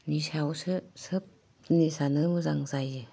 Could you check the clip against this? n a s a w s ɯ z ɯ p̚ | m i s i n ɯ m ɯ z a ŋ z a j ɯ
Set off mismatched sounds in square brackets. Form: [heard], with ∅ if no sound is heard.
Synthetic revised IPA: n [i] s a w s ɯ [s] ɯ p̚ | [n] i s [a] n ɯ m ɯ z a ŋ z a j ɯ

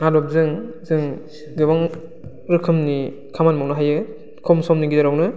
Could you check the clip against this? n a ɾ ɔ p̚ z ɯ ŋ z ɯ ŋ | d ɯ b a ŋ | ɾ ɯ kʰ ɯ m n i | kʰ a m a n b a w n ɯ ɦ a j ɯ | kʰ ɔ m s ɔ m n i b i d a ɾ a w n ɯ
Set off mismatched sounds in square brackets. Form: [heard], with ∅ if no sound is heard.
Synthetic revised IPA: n a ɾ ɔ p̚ z ɯ ŋ z ɯ ŋ | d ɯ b a ŋ | ɾ ɯ kʰ ɯ m n i | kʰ a m a n [m] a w n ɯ ɦ a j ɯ | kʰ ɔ m s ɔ m n i [ɡ] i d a ɾ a w n ɯ

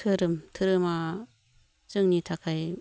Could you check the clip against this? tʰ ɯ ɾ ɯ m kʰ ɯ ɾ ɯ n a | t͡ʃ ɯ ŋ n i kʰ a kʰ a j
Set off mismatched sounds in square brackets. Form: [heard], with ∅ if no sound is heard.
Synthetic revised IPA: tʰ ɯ ɾ ɯ m [tʰ] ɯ ɾ ɯ [m] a | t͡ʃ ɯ ŋ n i [tʰ] a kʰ a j

